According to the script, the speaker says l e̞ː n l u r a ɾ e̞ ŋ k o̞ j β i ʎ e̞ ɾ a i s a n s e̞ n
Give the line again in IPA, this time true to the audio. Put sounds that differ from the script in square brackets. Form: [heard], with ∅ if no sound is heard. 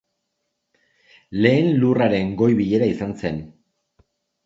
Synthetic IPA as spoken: l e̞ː n l u r a ɾ e̞ ŋ [ɡ] o̞ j β i ʎ e̞ ɾ a i s a n s e̞ n